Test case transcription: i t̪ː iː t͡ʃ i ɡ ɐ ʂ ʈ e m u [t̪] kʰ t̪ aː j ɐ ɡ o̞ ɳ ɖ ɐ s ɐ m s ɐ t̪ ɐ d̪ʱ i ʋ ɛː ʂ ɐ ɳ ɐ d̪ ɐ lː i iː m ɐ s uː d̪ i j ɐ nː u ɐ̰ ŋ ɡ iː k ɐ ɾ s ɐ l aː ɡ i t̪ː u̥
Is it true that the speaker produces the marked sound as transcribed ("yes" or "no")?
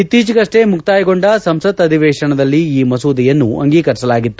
no